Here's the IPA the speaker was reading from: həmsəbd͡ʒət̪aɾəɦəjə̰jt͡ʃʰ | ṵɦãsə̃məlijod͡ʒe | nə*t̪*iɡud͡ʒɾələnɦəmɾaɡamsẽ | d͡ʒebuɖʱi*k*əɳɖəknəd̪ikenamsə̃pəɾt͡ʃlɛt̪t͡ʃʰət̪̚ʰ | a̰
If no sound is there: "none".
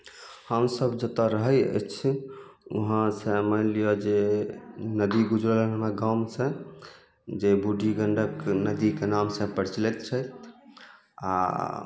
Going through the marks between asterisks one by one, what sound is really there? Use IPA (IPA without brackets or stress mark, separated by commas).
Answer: d̪, ɡ